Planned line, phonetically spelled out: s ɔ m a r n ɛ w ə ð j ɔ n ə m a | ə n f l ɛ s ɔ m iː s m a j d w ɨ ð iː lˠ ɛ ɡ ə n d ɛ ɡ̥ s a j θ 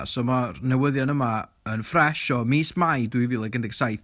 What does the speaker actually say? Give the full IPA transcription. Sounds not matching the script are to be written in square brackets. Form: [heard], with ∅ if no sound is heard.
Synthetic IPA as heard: s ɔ m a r n ɛ w ə ð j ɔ n ə m a | ə n f [r] ɛ [ʃ] ɔ m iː s m a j d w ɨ [v] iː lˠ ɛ ɡ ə n d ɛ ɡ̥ s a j θ

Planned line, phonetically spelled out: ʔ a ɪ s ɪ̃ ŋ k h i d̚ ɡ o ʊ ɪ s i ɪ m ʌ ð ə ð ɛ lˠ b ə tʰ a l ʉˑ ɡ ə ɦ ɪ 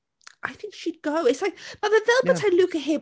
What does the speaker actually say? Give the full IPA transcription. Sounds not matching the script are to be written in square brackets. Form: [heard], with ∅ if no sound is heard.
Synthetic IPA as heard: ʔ a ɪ [θ] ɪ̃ ŋ k [ʃ] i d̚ ɡ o ʊ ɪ s [a] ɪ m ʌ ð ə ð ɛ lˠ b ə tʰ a l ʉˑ [k] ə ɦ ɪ

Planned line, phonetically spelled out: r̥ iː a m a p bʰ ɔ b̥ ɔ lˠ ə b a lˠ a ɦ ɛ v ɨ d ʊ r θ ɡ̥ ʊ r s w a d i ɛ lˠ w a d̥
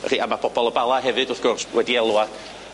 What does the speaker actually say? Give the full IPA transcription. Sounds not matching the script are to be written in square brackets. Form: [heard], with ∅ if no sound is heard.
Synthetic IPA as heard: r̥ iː a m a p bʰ ɔ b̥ ɔ lˠ ə b a lˠ a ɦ ɛ v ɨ d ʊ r θ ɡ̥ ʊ r s w [ɛ] d i ɛ lˠ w a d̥

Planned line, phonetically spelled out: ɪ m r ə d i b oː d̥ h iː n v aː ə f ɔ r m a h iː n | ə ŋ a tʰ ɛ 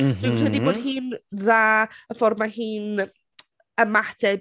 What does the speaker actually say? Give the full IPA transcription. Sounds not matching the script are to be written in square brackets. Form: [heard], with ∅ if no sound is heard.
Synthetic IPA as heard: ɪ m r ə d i b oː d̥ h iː n [ð] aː ə f ɔ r m a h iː n | ə [m] a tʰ ɛ

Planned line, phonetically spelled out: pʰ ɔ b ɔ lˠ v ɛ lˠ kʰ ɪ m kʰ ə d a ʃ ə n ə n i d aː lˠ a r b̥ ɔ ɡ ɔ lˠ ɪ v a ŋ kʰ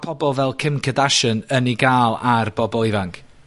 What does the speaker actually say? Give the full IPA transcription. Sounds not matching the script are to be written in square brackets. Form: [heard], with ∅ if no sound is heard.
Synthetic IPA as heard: pʰ ɔ b ɔ lˠ v ɛ lˠ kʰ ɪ m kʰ ə d a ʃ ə n ə n i [ɡ] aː lˠ a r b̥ ɔ [b] ɔ lˠ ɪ v a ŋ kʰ

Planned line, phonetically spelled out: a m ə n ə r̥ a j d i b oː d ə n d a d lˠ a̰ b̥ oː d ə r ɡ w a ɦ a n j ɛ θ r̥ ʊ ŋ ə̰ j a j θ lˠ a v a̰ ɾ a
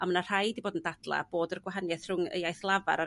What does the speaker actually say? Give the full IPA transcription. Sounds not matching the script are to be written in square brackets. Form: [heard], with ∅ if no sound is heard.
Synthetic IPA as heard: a m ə n [a] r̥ a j d i b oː d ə n d a d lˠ a̰ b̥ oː d ə r ɡ w a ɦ a n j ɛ θ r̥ ʊ ŋ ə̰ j a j θ lˠ a v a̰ ɾ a

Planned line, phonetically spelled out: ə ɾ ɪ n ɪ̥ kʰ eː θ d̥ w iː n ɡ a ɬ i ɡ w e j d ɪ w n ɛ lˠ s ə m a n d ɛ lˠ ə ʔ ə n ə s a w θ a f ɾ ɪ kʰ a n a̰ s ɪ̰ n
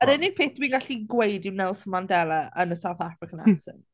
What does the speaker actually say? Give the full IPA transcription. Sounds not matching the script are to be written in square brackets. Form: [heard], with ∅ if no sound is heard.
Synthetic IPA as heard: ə ɾ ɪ n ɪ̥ [pʰ] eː θ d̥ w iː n ɡ a ɬ i ɡ w e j d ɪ w n ɛ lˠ s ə m a n d ɛ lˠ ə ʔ ə n ə s a w θ a f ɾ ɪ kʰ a n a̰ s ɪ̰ n

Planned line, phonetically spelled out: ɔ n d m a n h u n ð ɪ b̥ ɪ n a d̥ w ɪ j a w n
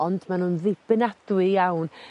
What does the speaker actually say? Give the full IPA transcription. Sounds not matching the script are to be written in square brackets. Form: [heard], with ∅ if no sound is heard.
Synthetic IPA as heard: ɔ n d m a n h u n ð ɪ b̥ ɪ n a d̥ w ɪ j a w n

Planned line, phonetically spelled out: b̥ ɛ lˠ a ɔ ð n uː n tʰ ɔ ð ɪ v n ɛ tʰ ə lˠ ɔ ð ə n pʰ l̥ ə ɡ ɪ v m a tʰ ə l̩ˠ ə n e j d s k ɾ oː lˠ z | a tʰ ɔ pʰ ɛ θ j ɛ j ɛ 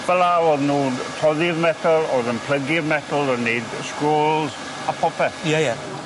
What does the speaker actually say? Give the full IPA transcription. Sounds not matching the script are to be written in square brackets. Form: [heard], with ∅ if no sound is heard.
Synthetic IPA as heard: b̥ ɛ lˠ a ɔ ð n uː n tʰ ɔ ð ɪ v [m] ɛ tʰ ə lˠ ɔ ð ə n pʰ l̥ ə ɡ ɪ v m [ɛ] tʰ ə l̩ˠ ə n e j d s k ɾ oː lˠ z | a [pʰ] ɔ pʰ ɛ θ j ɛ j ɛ

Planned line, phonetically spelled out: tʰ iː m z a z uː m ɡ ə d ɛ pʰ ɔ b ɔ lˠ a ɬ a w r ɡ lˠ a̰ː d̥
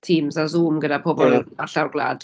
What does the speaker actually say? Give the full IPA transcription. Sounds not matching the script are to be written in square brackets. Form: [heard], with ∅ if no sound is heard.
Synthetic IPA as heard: tʰ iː m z a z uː m ɡ ə d [a] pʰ ɔ b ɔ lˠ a ɬ a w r ɡ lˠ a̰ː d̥

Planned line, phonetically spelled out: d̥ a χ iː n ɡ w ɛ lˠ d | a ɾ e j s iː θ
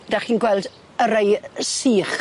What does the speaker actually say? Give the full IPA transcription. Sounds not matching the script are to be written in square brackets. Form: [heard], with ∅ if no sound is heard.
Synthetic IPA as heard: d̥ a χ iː n ɡ w ɛ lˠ d | [ə] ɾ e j s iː [χ]

